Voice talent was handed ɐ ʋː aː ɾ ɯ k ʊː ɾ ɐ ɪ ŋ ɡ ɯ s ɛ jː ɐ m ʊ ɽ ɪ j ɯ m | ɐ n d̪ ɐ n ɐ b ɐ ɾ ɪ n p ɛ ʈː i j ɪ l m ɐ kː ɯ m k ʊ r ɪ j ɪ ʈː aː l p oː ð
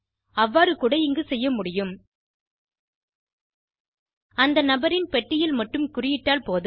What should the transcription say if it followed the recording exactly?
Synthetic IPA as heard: ɐ ʋː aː ɾ ɯ k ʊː ɽ ɐ ɪ ŋ ɡ ɯ s ɛ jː ɐ m ʊ ɽ ɪ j ɯ m | ɐ n d̪ ɐ n ɐ b ɐ ɾ ɪ n p ɛ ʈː ɪ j ɪ l m ɐ ʈː ɯ m k ʊ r ɪ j ɪ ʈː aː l p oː ð